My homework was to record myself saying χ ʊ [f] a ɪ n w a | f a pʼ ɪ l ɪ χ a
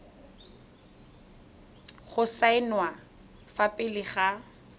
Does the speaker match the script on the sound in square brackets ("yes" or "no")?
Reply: no